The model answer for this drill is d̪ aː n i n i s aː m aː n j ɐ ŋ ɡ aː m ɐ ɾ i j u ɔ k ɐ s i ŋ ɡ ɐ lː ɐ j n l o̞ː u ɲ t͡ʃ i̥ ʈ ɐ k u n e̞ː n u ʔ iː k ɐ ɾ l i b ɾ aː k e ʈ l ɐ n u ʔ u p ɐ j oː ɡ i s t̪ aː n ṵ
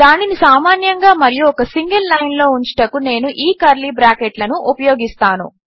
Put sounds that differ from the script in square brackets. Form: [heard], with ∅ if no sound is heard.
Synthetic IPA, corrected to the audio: d̪ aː n i n i s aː m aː n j ɐ ŋ ɡ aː m ɐ ɾ i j u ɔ k ɐ s i ŋ ɡ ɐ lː ɐ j n l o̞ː u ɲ t͡ʃ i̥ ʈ ɐ k u n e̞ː n u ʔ iː k ɐ ɾ l i b ɾ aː k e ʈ l ɐ n u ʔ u p ɐ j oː ɡ i s t̪ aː n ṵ

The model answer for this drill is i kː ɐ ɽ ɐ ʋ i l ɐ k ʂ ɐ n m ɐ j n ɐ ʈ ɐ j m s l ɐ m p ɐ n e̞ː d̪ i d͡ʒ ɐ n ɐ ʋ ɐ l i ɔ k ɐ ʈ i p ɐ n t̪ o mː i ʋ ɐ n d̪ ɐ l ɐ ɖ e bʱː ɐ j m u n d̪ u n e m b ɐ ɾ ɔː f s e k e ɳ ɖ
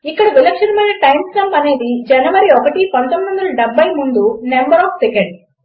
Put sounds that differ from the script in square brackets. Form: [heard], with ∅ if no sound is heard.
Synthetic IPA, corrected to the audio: i kː ɐ ɽ ɐ ʋ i l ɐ k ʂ ɐ n m ɐ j n ɐ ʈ ɐ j m s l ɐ m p ɐ n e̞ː d̪ i d͡ʒ ɐ n ɐ ʋ ɐ [ɾ] i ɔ k ɐ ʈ i p ɐ n t̪ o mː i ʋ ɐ n d̪ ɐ l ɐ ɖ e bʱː ɐ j m u n d̪ u n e m b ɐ ɾ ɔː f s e k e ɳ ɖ

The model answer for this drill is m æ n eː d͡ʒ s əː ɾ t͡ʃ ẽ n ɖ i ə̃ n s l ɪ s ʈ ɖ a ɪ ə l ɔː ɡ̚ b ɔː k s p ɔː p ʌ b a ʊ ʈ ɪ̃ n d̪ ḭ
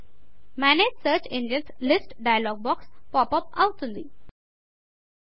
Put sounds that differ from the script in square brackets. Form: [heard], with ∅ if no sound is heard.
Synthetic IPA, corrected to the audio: m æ n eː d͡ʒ s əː ɾ t͡ʃ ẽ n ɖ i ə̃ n s l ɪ s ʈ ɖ a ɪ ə l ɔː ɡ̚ b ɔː k s p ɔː p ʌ [p] a ʊ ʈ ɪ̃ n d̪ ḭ

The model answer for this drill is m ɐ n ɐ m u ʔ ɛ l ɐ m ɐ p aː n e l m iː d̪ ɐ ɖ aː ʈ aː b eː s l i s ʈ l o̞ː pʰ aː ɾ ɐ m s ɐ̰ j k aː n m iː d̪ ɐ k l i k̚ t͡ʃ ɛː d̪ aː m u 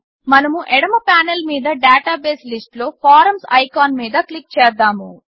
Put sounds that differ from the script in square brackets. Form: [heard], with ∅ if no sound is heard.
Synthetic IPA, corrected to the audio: m ɐ n ɐ m u ʔ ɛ [ɽ] ɐ m ɐ p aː n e l m iː d̪ ɐ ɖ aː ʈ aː b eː s l i s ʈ l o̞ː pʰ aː ɾ ɐ m s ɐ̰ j k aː n m iː d̪ ɐ k l i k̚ t͡ʃ ɛː d̪ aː m u

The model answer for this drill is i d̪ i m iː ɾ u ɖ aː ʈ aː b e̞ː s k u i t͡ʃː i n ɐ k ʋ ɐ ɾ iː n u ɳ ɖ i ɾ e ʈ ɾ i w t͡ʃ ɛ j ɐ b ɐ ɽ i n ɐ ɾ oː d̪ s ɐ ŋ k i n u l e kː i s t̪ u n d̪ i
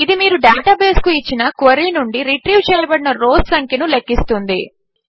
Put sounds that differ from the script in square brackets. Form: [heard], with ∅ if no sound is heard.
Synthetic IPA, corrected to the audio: i d̪ i m iː ɾ u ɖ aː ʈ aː b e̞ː s k u i t͡ʃː i n ɐ k ʋ ɐ ɾ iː n u ɳ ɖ i ɾ [i] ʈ ɾ i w t͡ʃ [ɛː] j ɐ b ɐ ɽ i n ɐ ɾ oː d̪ s ɐ ŋ k i n u l e kː i s t̪ u n d̪ i

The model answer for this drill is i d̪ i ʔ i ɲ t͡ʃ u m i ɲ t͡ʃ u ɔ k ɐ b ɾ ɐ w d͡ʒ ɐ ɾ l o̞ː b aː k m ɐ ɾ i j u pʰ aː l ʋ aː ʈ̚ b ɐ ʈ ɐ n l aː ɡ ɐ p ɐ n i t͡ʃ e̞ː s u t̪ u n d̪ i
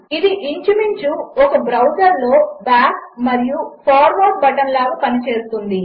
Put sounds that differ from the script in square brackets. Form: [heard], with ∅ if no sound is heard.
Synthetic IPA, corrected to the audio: i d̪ i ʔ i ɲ t͡ʃ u m i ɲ t͡ʃ u ɔ k ɐ b ɾ ɐ w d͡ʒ ɐ ɾ l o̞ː b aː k m ɐ ɾ i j u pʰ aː [ɾ] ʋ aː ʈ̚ b ɐ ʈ ɐ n l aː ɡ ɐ p ɐ n i t͡ʃ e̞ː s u t̪ u n d̪ i

